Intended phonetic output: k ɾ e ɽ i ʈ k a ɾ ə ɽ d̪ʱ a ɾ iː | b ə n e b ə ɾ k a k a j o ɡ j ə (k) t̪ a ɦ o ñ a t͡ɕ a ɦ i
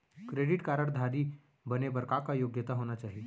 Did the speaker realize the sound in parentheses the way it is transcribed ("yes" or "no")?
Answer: no